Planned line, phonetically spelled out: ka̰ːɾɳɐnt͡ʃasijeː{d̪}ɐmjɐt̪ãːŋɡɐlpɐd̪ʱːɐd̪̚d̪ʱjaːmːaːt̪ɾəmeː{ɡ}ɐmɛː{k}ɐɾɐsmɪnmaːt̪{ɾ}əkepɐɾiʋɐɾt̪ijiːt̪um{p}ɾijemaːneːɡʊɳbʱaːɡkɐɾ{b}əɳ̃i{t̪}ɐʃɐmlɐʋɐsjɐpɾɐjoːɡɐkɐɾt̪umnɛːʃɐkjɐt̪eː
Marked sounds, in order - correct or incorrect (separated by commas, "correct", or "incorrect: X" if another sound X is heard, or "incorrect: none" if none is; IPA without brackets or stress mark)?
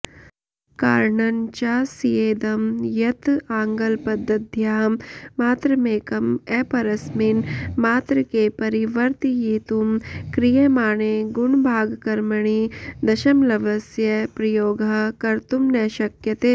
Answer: correct, incorrect: k, incorrect: p, correct, incorrect: k, incorrect: m, incorrect: d̪